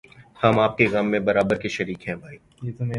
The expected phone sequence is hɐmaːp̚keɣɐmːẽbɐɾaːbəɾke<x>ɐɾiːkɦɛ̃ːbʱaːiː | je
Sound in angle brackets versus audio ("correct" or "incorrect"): incorrect